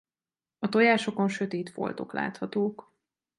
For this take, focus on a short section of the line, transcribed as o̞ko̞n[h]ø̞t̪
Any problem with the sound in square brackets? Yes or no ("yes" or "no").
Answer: yes